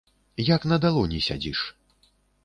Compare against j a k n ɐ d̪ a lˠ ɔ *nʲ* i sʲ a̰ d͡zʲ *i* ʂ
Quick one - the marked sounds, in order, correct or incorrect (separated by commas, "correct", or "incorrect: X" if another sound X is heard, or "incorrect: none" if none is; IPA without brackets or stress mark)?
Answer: correct, correct